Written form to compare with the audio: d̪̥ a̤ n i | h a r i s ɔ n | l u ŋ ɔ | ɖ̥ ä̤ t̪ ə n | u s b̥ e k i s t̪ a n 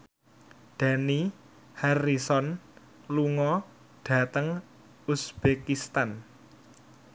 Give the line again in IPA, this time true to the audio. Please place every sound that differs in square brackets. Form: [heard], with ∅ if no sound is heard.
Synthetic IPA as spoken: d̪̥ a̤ n i | h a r i s ɔ n | l u ŋ ɔ | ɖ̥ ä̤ t̪ ə [ŋ] | u s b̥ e k i s t̪ a n